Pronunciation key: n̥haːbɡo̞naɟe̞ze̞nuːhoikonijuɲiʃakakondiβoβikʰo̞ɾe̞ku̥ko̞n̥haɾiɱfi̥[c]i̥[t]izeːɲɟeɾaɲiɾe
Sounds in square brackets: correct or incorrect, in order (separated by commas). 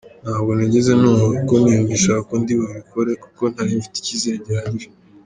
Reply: incorrect, incorrect